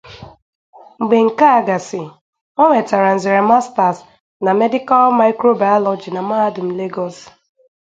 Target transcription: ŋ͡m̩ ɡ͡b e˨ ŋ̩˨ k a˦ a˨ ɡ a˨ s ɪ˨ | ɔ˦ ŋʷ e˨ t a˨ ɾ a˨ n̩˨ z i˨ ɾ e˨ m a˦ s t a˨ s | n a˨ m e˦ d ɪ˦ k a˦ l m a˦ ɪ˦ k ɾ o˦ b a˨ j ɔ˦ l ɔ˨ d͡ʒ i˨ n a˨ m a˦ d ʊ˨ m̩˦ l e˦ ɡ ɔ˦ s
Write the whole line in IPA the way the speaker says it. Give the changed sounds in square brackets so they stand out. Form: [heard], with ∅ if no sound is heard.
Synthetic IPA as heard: ŋ͡m̩ ɡ͡b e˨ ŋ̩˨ k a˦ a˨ ɡ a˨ s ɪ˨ | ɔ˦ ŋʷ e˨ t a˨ ɾ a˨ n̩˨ z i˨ ɾ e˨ m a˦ s t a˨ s | n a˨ m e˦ d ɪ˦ k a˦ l m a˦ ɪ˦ k ɾ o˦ b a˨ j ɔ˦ l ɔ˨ d͡ʒ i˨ n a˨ m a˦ d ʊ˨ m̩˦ l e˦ ɡ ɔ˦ s